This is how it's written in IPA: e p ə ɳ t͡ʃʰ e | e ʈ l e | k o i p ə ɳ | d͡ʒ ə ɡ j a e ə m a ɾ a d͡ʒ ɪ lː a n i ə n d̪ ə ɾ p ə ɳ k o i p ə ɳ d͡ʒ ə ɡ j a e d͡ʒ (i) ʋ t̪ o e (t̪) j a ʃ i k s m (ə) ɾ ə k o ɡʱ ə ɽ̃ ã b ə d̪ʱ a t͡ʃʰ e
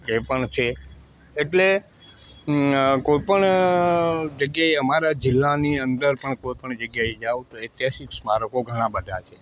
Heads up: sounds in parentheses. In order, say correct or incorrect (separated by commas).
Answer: incorrect, correct, incorrect